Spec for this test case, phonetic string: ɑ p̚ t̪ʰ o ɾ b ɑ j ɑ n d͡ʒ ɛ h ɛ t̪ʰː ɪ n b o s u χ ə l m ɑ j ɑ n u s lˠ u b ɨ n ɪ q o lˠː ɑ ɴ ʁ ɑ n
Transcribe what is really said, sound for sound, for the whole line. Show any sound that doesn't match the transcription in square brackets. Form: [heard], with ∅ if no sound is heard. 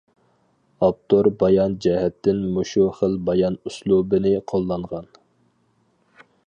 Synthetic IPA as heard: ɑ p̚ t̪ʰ o ɾ b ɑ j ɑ n d͡ʒ ɛ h ɛ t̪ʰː ɪ n [m] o [ʃ] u χ ə l [b] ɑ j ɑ n u s lˠ u b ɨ n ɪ [qʰ] o lˠː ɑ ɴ ʁ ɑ n